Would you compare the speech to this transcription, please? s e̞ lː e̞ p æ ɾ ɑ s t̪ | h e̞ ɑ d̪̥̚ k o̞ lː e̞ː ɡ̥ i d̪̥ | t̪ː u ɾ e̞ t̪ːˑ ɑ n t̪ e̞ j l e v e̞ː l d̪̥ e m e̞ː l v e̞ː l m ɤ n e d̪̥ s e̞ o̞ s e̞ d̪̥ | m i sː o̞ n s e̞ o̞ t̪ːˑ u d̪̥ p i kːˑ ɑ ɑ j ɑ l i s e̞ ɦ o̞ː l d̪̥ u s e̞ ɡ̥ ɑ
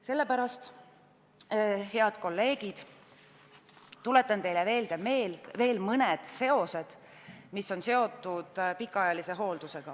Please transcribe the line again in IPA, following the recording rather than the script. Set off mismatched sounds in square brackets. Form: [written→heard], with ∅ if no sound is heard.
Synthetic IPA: s e̞ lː e̞ p æ ɾ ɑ s t̪ | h e̞ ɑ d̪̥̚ k o̞ lː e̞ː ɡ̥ i d̪̥ | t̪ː u [ɾ→l] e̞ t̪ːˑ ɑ n t̪ e̞ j l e v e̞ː l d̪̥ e m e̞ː l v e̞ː l m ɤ n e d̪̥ s e̞ o̞ s e̞ d̪̥ | m i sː o̞ n s e̞ o̞ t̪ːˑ u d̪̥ p i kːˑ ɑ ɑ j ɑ l i s e̞ ɦ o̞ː l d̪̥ u s e̞ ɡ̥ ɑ

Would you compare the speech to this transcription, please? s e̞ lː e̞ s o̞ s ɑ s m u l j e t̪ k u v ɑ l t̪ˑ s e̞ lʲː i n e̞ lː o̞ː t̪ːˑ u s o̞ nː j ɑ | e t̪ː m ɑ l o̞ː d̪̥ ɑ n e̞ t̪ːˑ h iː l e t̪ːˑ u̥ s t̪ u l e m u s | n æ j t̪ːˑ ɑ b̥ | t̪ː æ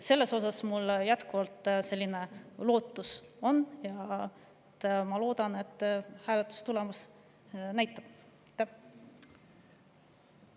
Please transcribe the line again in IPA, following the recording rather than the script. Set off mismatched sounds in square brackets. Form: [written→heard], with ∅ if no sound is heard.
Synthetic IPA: s e̞ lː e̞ s o̞ s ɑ s m u l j [e→æ] t̪ k u v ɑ l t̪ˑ s e̞ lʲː i n e̞ [lː→l] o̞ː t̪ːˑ u s o̞ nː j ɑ | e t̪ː m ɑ l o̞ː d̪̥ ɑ n e̞ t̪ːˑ h [iː→æː] l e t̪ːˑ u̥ s t̪ u l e m u s | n æ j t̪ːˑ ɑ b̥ | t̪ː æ

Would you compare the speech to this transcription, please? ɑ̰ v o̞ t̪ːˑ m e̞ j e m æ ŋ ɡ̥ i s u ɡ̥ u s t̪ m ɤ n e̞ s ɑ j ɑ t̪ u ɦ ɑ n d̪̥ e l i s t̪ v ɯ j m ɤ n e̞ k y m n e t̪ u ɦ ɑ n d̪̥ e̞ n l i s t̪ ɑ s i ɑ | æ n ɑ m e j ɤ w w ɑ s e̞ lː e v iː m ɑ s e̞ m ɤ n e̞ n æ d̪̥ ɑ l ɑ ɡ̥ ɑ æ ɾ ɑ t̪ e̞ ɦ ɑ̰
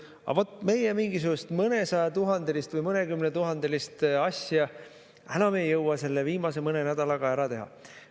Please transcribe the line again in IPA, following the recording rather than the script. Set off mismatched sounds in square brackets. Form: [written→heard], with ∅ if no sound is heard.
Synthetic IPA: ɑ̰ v o̞ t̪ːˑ m e̞ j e m [æ→i] ŋ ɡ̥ i s u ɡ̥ u s t̪ m ɤ n e̞ s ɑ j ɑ t̪ u ɦ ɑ n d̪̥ e l i s t̪ v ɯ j m ɤ n e̞ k y m n e t̪ u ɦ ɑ n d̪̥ e̞ [n→∅] l i s t̪ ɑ s [i→j] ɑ | æ n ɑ m e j ɤ w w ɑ s e̞ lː e v iː m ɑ s e̞ m ɤ n e̞ n æ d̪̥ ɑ l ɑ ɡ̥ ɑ æ ɾ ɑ t̪ e̞ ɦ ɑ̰

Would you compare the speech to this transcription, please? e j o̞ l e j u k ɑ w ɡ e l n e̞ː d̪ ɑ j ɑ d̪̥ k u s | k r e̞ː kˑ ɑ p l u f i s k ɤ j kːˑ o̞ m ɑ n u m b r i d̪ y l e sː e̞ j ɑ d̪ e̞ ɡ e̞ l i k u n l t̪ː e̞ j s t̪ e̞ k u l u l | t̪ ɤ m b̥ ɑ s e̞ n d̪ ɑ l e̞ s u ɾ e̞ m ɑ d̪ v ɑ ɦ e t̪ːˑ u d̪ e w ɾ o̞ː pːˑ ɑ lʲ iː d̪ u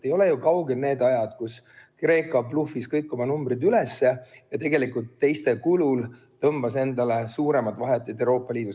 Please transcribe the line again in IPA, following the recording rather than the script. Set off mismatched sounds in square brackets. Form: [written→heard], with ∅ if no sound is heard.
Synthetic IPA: e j o̞ l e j u k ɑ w ɡ e l n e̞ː d̪ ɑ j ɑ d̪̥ k u s | k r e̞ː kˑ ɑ p l u f i s k ɤ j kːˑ o̞ m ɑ n u m b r i d̪ y l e sː e̞ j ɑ [d̪→t̪] e̞ ɡ e̞ l i k u [n→∅] l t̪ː e̞ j s t̪ e̞ k u l u l | t̪ ɤ m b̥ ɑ s e̞ n d̪ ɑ l e̞ s [u→uː] ɾ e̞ m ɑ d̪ v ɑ ɦ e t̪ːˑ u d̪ e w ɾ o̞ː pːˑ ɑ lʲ iː d̪ u

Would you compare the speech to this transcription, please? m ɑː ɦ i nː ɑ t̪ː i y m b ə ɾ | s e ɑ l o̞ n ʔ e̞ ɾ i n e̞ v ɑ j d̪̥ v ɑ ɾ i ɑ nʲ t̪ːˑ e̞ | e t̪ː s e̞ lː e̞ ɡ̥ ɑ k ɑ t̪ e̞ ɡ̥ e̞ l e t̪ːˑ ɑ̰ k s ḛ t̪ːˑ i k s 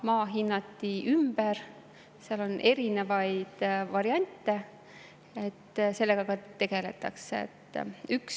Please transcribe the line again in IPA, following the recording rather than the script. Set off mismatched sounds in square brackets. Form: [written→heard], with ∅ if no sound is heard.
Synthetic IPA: m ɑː ɦ i nː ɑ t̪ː i y m b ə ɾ | s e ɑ l o̞ n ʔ e̞ ɾ i n e̞ v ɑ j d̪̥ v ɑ ɾ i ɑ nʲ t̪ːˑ e̞ | e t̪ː s e̞ lː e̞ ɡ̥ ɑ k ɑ t̪ e̞ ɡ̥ e̞ l e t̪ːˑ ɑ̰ k s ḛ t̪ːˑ [i→y] k s

